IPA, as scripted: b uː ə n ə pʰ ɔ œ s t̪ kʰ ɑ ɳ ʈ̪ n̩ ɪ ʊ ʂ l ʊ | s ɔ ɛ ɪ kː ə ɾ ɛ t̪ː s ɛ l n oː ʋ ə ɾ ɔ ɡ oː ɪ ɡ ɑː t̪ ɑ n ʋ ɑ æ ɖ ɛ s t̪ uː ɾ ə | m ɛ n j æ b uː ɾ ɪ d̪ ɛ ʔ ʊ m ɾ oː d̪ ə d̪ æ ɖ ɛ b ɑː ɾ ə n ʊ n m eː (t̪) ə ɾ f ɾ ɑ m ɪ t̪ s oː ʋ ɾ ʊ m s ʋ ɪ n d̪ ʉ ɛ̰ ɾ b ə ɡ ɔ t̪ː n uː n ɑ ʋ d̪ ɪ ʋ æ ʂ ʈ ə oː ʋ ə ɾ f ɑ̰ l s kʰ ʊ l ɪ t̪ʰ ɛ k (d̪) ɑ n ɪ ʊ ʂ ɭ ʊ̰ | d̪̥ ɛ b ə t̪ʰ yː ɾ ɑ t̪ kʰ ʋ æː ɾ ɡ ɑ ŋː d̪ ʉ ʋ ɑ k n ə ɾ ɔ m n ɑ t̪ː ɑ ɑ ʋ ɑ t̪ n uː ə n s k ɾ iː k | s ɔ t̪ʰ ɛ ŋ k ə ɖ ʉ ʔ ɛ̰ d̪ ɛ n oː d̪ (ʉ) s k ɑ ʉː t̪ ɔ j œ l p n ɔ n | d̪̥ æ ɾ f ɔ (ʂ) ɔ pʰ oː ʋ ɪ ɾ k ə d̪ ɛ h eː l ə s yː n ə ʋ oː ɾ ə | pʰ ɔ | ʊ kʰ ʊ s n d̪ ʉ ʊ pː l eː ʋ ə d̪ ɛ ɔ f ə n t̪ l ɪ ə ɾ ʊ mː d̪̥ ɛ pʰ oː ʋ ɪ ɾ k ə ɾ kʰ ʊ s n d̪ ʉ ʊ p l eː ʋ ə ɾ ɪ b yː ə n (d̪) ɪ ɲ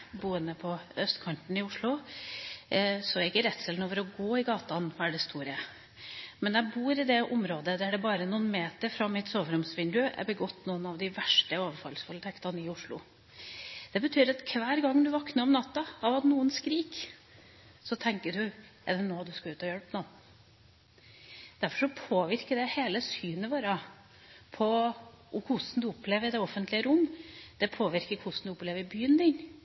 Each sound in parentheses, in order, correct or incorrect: correct, incorrect, correct, correct, correct

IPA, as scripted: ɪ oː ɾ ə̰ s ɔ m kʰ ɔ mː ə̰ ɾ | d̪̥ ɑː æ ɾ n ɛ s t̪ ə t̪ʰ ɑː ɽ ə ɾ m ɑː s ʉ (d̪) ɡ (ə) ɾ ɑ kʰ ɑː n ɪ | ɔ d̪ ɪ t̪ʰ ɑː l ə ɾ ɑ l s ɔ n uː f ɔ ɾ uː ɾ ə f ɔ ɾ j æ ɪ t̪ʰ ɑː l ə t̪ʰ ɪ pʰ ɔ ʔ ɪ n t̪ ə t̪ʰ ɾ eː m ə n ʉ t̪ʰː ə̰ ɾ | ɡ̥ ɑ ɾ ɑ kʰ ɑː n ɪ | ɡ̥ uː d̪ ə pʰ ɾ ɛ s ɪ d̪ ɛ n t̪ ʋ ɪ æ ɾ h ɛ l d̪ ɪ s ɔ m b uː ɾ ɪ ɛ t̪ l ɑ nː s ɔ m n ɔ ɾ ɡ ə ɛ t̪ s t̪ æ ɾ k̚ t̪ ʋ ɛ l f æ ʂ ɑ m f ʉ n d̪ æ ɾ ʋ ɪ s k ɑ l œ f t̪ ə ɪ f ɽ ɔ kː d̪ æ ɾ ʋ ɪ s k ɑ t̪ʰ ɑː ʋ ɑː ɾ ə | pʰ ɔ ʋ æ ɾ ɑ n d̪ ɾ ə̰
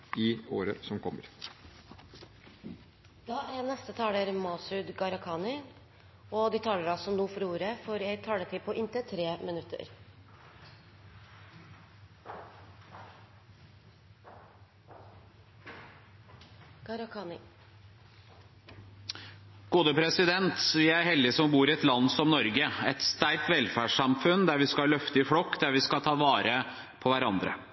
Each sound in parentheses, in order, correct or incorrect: correct, incorrect

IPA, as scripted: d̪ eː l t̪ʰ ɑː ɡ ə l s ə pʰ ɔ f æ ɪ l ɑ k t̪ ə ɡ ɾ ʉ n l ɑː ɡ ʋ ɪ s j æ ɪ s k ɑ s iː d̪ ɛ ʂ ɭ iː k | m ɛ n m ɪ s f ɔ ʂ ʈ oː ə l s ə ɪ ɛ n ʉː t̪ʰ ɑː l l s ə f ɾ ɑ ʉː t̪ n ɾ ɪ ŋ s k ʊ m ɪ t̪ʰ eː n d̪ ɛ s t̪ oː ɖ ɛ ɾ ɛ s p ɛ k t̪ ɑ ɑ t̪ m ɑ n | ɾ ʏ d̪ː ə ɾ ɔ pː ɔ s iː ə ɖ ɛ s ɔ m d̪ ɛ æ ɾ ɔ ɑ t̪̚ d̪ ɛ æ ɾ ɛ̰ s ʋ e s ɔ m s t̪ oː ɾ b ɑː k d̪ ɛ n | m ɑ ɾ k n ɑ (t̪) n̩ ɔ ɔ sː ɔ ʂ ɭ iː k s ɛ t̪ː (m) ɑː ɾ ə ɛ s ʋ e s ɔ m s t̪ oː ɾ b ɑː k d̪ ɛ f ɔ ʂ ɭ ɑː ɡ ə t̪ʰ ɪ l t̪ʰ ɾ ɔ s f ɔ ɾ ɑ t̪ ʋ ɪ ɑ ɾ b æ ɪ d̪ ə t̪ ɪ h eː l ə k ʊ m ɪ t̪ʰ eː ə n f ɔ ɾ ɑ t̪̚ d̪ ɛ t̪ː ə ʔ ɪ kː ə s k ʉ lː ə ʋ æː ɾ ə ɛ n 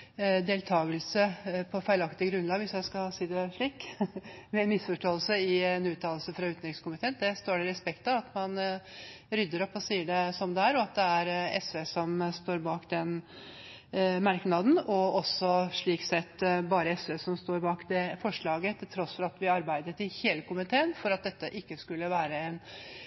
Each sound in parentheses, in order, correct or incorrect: incorrect, incorrect

